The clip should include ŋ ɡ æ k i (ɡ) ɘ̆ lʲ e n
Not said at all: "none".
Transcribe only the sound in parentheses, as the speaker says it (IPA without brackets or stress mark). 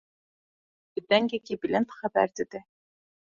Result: b